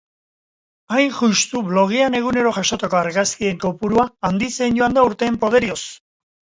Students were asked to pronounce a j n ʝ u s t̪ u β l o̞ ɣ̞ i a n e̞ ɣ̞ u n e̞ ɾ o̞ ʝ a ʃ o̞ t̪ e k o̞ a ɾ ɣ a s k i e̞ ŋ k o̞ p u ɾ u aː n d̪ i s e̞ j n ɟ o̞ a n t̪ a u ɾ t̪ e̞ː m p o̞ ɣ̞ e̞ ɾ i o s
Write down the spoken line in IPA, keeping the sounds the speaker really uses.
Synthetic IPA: a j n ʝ u s t̪ u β l o̞ ɣ̞ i a n e̞ ɣ̞ u n e̞ ɾ o̞ ʝ a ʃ o̞ t̪ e k o̞ a ɾ ɣ a s k i e̞ ŋ k o̞ p u ɾ u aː n d̪ i s e̞ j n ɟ o̞ a n d̪ a u ɾ t̪ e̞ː m p o̞ ð̞ e̞ ɾ i o s